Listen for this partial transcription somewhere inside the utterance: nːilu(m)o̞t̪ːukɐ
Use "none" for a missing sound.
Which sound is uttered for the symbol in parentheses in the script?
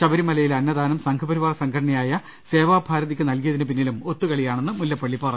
m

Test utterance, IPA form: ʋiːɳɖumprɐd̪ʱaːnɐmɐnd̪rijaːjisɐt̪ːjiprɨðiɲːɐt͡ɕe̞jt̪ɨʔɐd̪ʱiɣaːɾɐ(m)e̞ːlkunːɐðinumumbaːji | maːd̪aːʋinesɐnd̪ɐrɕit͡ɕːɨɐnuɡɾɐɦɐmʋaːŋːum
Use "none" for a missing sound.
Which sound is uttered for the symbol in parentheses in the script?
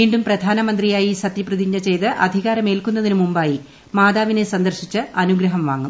m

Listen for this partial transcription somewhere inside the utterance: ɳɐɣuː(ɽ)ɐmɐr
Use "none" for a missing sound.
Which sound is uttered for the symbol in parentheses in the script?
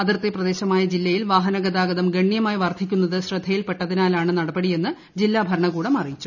ɽ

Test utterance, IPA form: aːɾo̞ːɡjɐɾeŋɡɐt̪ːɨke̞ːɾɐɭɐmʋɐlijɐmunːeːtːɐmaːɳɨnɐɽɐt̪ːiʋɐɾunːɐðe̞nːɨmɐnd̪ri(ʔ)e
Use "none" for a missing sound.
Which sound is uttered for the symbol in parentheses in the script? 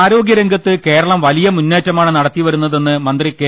k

